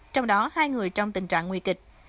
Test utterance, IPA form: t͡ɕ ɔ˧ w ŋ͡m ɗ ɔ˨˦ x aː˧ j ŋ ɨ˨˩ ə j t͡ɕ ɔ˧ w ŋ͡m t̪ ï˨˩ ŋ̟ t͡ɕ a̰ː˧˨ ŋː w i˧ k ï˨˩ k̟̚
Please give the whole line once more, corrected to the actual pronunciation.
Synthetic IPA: t͡ɕ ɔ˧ w ŋ͡m ɗ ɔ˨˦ h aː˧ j ŋ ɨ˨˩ ə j t͡ɕ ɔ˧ w ŋ͡m t̪ ï˨˩ ŋ̟ t͡ɕ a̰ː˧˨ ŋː w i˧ k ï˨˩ k̟̚